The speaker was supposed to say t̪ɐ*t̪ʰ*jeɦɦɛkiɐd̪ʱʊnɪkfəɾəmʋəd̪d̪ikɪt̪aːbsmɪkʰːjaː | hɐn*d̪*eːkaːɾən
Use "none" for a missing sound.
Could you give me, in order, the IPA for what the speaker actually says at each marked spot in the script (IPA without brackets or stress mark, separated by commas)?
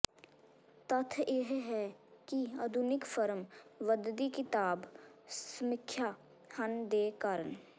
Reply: t̪ʰ, d̪